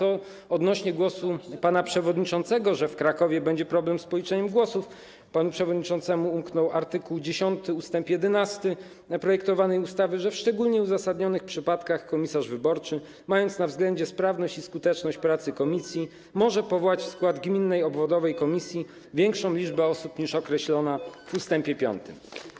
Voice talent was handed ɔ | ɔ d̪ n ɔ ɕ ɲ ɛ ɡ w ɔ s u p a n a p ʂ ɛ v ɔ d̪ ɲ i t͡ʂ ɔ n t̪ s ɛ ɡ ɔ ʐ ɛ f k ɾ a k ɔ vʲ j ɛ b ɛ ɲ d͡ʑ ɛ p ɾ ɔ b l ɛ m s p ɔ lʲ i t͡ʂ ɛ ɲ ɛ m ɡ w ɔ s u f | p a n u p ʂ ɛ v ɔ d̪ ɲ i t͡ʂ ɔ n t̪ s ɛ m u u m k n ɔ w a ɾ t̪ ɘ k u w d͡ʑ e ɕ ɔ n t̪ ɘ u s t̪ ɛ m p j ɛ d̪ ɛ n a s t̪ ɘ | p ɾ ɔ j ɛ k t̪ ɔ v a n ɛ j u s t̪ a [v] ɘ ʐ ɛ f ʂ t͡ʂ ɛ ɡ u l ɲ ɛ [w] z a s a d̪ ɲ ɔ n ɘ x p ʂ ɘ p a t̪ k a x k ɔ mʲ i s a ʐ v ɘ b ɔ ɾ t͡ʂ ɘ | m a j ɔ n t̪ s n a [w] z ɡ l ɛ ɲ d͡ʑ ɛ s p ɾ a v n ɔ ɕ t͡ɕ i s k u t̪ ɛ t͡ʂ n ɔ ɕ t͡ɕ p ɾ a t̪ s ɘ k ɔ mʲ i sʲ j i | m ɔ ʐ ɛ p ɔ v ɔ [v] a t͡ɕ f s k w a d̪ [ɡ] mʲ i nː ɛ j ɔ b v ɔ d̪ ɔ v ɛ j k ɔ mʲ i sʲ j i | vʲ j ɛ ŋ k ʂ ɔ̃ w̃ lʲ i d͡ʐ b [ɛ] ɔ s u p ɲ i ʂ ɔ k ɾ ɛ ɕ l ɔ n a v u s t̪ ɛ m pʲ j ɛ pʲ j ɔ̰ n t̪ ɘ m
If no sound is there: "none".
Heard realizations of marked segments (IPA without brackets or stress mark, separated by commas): v, u, v, w, ɡ, ɛ